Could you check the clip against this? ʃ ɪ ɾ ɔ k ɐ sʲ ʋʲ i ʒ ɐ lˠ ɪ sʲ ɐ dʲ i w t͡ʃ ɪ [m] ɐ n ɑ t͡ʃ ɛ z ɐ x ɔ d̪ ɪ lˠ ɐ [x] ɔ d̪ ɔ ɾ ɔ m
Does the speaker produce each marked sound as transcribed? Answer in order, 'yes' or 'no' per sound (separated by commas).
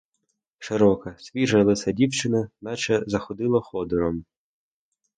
no, yes